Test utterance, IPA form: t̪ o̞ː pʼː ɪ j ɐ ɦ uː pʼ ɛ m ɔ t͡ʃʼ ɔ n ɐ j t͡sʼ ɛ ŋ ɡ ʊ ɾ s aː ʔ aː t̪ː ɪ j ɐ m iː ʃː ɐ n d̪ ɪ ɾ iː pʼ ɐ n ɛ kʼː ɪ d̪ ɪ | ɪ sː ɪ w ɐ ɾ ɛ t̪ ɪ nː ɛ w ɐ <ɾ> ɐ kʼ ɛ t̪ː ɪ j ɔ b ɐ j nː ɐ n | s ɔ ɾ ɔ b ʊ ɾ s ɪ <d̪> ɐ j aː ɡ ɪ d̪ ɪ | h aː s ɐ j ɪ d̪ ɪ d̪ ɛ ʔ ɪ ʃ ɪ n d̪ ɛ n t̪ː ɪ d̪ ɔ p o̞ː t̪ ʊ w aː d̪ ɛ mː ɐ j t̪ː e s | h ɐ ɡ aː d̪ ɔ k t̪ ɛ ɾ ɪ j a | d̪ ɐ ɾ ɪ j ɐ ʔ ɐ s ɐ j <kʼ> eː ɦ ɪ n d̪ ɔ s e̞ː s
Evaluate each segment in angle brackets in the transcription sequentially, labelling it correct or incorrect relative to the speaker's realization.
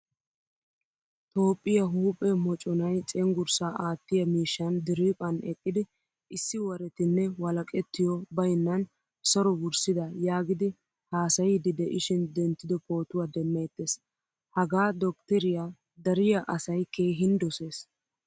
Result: incorrect: l, correct, incorrect: k

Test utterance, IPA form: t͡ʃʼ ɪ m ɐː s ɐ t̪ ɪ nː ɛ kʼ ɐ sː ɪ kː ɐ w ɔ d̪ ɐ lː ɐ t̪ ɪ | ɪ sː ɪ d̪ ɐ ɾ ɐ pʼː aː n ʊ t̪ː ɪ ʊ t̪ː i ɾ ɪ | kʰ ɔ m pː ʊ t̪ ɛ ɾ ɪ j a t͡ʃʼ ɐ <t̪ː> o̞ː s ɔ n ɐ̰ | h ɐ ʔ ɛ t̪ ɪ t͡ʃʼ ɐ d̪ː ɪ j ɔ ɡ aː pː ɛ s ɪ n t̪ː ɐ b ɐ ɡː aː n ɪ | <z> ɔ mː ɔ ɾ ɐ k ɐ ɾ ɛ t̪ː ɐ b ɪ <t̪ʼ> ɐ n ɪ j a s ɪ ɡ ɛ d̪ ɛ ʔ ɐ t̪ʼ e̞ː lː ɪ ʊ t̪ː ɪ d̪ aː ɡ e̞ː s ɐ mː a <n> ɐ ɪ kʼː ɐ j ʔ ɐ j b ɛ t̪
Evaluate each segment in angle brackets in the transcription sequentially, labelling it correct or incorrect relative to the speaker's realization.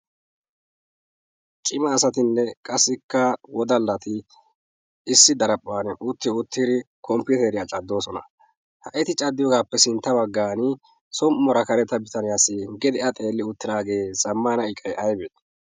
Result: incorrect: d̪ː, incorrect: s, incorrect: t̪, correct

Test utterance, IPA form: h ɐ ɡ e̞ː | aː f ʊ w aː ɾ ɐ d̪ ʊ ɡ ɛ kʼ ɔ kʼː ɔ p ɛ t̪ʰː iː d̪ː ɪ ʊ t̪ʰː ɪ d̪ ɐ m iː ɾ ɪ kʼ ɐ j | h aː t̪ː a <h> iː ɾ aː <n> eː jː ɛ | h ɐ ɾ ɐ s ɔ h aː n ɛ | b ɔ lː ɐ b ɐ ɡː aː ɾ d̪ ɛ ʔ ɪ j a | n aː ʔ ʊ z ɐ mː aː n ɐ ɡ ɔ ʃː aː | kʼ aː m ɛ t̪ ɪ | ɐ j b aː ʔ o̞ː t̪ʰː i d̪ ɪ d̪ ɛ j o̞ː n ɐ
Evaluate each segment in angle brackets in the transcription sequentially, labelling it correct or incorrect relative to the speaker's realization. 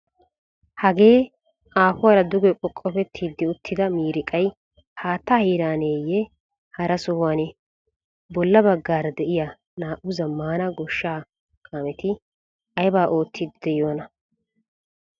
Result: correct, correct

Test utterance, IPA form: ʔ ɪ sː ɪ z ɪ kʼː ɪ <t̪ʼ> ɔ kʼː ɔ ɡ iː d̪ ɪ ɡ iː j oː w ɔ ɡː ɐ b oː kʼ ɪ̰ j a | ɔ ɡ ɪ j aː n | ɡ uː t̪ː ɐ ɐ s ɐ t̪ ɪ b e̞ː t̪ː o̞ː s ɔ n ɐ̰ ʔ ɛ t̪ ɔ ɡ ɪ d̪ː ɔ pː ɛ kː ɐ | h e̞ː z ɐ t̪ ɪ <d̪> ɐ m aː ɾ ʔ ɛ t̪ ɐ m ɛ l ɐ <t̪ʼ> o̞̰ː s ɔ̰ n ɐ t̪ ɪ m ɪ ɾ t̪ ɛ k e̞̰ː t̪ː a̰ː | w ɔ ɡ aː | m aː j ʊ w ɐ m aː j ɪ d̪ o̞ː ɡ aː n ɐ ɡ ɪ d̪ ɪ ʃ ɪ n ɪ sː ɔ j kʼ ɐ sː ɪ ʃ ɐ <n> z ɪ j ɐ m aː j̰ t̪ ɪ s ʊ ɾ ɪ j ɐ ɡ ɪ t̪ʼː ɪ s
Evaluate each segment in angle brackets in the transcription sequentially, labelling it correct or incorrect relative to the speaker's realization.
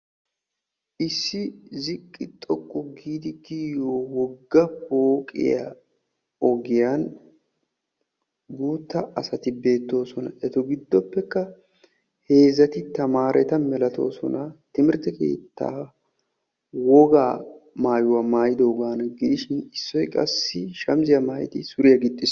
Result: correct, incorrect: t̪, incorrect: t̪, incorrect: m

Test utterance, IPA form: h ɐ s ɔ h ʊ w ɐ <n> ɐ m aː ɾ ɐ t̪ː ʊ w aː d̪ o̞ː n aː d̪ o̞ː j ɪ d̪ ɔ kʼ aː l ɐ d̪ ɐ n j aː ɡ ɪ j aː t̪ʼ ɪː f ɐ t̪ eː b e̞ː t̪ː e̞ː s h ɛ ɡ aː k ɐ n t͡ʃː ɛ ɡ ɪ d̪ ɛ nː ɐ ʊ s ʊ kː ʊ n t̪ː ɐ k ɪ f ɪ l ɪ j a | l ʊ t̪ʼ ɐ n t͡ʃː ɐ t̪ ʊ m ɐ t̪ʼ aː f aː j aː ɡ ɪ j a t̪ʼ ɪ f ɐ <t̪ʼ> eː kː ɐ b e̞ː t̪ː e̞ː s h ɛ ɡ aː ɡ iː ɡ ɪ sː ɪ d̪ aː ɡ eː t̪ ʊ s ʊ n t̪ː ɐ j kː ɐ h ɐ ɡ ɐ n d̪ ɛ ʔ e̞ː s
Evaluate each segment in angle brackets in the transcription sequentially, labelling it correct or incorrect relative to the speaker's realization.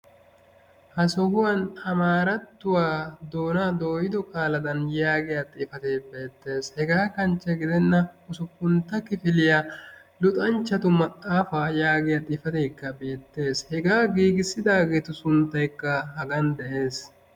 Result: correct, incorrect: t̪

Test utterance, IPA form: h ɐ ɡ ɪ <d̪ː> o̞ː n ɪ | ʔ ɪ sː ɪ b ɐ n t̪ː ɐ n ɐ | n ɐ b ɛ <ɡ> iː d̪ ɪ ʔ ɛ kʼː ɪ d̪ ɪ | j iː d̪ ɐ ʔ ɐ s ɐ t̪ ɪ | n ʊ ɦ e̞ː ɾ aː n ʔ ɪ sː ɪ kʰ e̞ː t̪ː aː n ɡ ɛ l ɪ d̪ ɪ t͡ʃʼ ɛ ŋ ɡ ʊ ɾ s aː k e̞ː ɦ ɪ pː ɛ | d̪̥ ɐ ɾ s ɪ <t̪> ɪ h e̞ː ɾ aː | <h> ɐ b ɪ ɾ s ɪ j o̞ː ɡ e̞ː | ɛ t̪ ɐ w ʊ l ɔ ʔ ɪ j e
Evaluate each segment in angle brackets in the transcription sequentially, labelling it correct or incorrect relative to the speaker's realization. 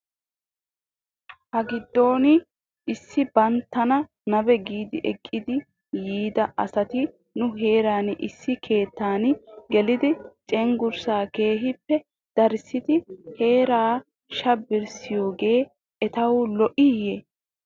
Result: correct, correct, correct, incorrect: ʃ

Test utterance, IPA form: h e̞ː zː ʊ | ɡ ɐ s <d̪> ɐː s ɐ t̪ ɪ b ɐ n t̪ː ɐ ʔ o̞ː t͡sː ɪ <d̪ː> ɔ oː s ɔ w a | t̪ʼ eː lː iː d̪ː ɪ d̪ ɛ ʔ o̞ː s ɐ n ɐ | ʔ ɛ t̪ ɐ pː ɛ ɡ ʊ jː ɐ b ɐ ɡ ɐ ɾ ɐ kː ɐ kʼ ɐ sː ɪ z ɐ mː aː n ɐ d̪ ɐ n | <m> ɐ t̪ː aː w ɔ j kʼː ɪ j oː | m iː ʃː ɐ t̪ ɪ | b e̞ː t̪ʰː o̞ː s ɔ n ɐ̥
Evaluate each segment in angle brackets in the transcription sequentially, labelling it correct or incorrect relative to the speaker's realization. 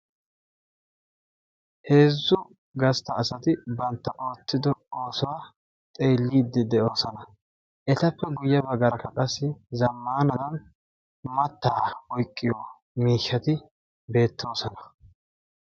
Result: incorrect: t̪, incorrect: d̪, correct

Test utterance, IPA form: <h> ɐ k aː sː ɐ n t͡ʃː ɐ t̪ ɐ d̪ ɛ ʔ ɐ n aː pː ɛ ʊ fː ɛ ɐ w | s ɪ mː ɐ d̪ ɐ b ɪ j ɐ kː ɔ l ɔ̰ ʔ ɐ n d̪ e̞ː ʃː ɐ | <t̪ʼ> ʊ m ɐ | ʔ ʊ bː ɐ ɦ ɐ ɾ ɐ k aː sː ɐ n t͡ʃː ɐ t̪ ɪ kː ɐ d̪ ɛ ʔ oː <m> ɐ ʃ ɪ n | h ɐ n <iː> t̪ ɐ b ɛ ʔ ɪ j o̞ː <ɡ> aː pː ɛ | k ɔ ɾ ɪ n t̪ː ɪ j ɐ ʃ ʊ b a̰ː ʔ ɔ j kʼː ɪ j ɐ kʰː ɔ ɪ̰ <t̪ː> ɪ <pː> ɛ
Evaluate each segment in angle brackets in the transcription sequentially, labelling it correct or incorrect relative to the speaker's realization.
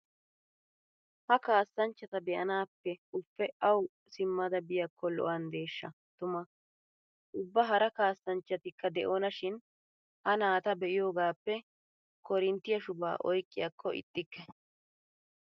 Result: correct, incorrect: t̪, incorrect: n, incorrect: aː, correct, incorrect: t̪ʼː, incorrect: kː

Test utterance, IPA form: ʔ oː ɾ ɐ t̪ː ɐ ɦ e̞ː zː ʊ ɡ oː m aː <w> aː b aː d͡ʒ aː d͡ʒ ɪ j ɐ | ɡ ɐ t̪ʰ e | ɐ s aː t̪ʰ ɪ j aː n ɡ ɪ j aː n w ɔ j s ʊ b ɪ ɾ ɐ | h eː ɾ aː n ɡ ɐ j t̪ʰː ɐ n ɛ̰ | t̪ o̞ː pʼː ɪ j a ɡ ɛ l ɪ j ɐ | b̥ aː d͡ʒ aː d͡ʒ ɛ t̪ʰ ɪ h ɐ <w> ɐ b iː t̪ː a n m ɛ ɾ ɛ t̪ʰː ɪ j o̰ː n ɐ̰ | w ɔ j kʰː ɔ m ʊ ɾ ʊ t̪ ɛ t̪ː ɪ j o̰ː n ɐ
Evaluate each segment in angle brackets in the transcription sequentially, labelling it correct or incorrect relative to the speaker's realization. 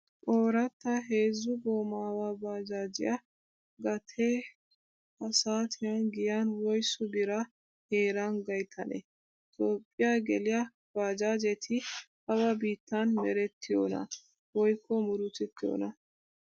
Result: correct, correct

